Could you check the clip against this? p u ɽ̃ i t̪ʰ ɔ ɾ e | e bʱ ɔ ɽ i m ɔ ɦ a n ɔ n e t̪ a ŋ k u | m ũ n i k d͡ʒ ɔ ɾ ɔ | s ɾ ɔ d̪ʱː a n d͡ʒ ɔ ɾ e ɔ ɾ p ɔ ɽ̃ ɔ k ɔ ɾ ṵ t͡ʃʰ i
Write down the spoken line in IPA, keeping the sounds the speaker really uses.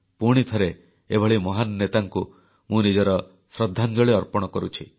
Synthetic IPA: p u ɽ̃ i t̪ʰ ɔ ɾ e | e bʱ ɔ ɭ i m ɔ ɦ a n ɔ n e t̪ a ŋ k u | m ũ n i d͡ʒ ɔ ɾ ɔ | s ɾ ɔ d̪ʱː a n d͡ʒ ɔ ɭ e ɔ ɾ p ɔ ɽ̃ ɔ k ɔ ɾ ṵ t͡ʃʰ i